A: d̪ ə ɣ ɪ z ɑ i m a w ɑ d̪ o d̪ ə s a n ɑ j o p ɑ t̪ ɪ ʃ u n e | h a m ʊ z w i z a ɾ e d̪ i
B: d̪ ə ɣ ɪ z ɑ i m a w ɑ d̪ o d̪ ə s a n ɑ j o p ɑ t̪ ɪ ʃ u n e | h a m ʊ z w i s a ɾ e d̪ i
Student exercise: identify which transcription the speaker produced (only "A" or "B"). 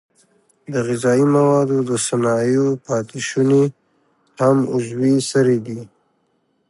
B